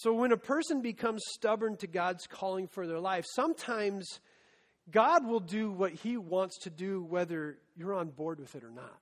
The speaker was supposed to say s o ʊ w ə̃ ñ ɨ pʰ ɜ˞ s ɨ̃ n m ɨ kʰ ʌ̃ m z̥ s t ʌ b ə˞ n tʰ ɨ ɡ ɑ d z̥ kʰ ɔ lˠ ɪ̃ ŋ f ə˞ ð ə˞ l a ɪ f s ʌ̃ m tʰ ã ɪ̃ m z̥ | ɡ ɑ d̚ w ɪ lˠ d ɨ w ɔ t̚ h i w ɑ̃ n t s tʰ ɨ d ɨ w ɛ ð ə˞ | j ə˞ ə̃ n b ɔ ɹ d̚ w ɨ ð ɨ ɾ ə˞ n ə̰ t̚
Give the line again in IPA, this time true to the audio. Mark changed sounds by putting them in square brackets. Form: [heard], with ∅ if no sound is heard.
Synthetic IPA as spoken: s o ʊ w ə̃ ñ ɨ pʰ ɜ˞ s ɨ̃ n [b] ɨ kʰ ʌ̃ m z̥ s t ʌ b ə˞ n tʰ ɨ ɡ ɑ d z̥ kʰ ɔ lˠ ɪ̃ ŋ f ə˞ ð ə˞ l a ɪ f s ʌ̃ m tʰ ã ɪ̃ m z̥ | ɡ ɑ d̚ w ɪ lˠ d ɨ w [ʌ] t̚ h i w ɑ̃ n t s tʰ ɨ d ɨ w ɛ ð ə˞ | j ə˞ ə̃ n b ɔ ɹ d̚ w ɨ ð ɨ ɾ ə˞ n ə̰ t̚